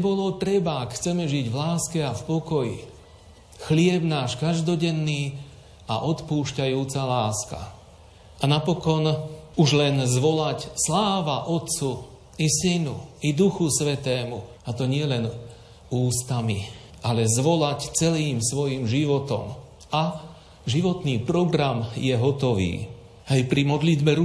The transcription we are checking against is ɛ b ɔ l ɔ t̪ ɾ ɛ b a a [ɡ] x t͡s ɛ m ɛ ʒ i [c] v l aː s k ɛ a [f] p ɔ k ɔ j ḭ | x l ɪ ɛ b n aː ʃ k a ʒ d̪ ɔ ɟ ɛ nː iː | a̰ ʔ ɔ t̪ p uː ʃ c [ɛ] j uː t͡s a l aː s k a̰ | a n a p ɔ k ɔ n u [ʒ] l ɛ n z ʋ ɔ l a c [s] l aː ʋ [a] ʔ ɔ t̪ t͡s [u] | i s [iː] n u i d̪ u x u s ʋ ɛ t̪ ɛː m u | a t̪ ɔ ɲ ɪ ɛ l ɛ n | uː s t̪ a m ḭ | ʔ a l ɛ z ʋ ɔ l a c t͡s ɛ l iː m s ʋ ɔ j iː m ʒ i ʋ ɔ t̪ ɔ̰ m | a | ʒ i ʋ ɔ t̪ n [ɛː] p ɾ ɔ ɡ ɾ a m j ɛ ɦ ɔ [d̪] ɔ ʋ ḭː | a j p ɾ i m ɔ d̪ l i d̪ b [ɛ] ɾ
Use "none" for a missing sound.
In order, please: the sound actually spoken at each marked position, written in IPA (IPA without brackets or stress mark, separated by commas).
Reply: k, ɟ, f, a, ʒ, s, a, u, i, iː, t̪, ɛ